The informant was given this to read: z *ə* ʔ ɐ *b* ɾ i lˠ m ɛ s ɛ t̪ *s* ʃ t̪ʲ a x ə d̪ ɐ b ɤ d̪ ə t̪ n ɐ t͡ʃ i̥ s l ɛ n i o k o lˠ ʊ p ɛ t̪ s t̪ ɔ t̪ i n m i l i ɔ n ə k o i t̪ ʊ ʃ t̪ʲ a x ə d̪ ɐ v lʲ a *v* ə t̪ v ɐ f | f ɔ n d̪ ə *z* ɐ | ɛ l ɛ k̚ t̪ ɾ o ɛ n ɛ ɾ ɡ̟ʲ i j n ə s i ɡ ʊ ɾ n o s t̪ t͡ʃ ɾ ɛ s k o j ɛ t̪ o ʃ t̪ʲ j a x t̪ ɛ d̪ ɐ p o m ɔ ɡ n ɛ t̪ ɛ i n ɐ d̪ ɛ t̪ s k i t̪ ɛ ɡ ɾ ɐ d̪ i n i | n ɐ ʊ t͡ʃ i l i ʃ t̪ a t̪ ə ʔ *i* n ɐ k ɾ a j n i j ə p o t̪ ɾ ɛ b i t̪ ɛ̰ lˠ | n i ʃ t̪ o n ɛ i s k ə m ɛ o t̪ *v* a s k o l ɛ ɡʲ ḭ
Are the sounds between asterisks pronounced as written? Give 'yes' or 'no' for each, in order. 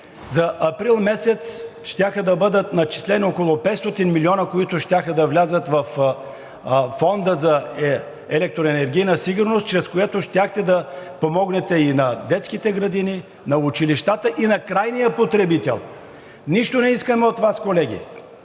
no, no, yes, no, yes, yes, yes

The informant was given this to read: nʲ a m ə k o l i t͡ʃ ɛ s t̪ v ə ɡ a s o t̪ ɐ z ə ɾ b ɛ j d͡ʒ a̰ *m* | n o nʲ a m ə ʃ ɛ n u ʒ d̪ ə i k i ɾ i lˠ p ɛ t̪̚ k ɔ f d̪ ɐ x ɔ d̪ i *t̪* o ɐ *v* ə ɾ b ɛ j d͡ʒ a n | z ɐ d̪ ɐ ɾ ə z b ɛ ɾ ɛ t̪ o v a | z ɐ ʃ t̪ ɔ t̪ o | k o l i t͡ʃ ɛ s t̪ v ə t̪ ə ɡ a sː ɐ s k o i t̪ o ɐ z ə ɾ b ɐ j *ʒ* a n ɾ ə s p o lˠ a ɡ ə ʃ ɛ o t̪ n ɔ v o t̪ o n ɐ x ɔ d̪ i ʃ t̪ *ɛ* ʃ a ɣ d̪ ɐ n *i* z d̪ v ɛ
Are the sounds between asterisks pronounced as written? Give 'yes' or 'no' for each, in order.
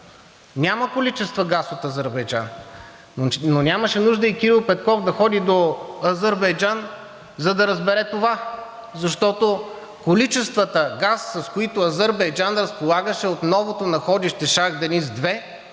no, no, no, no, yes, yes

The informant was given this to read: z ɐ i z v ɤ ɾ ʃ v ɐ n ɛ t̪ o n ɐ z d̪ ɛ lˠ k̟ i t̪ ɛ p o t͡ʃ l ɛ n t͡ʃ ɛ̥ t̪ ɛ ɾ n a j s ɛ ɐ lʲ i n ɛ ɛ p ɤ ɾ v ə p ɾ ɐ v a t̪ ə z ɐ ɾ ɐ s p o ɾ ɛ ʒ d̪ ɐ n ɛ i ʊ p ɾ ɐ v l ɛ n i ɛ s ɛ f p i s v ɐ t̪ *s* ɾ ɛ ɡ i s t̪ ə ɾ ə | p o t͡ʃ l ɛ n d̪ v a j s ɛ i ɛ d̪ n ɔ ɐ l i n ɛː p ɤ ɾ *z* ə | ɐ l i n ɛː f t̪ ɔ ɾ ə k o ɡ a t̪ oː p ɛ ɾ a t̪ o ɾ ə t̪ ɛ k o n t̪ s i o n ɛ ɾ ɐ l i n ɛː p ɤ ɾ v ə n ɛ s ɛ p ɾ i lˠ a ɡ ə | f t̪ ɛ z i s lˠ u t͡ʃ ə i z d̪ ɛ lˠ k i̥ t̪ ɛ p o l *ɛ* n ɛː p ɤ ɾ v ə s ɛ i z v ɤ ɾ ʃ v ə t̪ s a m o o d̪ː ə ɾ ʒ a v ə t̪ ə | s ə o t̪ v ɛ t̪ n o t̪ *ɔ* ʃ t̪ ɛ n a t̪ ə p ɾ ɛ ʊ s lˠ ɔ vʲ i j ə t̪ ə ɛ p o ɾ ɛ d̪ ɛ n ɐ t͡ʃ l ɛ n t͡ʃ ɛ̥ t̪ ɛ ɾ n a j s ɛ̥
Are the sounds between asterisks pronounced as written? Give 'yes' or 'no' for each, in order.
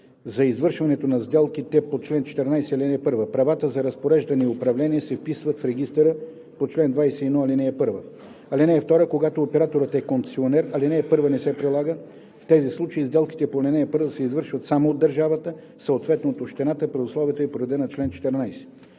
no, no, yes, no

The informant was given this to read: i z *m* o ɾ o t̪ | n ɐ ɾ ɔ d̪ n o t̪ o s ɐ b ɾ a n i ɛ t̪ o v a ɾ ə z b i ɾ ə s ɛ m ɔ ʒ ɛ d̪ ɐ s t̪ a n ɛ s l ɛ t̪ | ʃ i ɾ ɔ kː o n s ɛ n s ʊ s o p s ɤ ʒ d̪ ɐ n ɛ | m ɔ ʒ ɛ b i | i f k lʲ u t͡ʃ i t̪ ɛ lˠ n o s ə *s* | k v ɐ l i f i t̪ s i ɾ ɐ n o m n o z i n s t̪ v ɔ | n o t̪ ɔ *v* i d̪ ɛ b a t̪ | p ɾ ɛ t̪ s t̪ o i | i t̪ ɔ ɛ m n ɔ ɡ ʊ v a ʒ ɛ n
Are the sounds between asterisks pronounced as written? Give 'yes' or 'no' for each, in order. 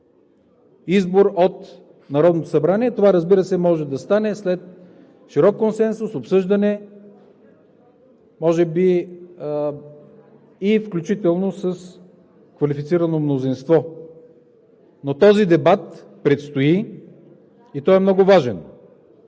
no, yes, no

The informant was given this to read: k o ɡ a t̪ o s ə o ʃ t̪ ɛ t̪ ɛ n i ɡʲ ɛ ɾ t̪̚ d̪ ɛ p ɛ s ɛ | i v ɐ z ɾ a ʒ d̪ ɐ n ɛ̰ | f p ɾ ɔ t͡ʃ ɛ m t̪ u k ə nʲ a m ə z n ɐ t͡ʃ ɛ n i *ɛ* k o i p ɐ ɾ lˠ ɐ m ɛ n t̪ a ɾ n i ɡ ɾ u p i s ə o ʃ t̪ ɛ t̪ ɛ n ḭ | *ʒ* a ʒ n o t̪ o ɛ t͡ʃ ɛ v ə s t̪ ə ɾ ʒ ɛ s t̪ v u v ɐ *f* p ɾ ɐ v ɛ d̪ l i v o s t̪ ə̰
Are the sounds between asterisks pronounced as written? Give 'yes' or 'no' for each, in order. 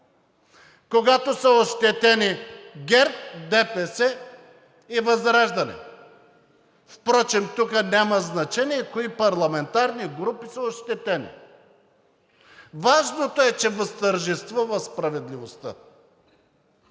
yes, no, no

